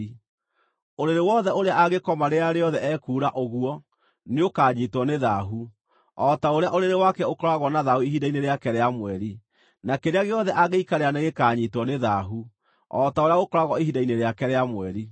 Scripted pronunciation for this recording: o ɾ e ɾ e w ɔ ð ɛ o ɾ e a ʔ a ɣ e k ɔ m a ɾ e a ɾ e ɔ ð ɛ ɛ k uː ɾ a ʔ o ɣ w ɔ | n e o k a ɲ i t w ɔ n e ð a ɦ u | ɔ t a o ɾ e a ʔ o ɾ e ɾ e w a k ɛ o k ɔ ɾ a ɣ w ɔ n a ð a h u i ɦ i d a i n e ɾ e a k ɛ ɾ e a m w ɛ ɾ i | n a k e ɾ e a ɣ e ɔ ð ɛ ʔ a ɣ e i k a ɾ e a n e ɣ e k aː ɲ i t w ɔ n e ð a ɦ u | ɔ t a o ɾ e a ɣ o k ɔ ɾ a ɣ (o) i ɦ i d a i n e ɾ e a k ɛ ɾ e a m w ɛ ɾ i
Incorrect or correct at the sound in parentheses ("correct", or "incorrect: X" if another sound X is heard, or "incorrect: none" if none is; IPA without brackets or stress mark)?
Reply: incorrect: ɔ